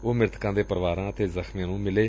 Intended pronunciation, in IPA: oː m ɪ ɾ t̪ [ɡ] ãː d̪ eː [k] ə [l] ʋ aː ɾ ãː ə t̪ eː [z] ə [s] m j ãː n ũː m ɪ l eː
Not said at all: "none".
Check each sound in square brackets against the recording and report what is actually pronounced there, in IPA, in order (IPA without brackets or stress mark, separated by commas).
k, p, ɾ, z, x